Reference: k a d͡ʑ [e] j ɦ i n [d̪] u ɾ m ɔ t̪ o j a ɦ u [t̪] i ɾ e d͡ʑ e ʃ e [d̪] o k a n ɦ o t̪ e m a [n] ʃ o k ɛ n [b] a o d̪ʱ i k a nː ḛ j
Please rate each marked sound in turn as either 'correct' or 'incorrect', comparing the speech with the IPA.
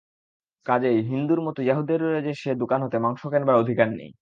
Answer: correct, correct, incorrect: d̪, correct, incorrect: ŋ, correct

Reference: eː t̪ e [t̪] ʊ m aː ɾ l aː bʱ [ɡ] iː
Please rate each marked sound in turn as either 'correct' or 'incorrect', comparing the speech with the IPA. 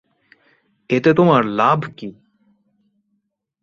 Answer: correct, incorrect: k

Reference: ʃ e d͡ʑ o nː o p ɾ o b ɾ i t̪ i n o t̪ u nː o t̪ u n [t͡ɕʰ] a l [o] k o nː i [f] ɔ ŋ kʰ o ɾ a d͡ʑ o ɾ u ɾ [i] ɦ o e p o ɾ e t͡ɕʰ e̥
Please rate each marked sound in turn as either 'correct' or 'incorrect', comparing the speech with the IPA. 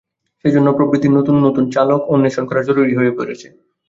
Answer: incorrect: t͡ɕ, correct, incorrect: ʃ, correct

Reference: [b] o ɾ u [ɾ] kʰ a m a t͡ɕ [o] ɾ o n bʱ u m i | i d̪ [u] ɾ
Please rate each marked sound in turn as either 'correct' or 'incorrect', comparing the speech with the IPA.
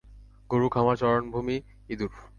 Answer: incorrect: ɡ, incorrect: none, incorrect: ɔ, correct

